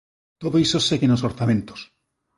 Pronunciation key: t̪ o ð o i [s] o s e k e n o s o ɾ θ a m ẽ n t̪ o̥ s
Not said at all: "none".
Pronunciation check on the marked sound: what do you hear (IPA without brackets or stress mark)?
s